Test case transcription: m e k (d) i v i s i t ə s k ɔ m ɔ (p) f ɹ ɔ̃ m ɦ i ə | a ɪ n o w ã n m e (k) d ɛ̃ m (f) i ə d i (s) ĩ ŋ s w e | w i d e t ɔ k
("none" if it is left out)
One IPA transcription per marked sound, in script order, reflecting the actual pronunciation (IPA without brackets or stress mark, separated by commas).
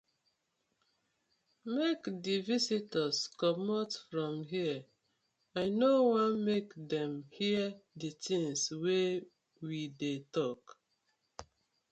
d, t, k, h, t